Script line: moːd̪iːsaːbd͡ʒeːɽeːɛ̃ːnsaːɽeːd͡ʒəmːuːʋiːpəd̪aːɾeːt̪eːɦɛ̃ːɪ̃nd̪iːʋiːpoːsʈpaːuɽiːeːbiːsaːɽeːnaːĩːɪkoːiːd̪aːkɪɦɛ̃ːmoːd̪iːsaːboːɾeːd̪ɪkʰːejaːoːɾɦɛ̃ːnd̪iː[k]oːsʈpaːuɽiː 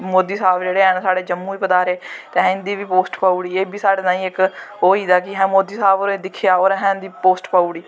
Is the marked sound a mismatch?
yes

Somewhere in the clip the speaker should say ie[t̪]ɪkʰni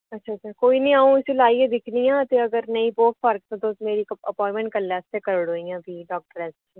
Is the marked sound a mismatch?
yes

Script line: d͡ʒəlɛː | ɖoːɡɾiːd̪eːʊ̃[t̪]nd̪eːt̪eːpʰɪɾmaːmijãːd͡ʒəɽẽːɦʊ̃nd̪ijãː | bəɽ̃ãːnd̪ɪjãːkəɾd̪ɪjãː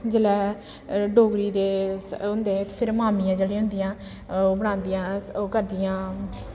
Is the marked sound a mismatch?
yes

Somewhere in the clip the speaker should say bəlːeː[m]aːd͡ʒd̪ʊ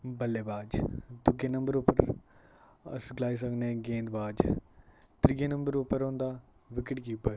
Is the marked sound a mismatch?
yes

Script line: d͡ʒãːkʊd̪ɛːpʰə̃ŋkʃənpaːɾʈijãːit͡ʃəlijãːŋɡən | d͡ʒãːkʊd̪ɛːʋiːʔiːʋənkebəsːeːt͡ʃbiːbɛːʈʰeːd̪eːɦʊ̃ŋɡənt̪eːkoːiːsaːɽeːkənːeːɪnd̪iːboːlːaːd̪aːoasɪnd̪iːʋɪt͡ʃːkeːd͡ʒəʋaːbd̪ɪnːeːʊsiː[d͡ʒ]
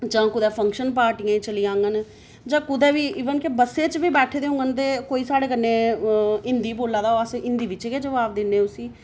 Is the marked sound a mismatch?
yes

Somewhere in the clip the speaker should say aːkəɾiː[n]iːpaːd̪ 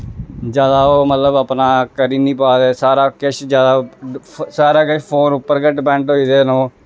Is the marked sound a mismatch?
no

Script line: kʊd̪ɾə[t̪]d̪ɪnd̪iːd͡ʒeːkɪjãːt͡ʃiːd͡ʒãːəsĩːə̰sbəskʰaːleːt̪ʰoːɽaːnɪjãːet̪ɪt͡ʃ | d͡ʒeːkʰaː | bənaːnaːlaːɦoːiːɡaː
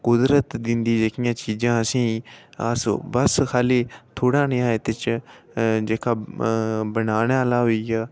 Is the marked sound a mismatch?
no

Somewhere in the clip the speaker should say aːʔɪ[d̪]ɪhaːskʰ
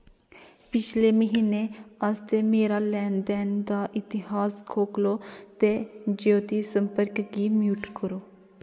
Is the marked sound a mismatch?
yes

